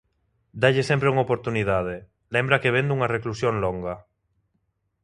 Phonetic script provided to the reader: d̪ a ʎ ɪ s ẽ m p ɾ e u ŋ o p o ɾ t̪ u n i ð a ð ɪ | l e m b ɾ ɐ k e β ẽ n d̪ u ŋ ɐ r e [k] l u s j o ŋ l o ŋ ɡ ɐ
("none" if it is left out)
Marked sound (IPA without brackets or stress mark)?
k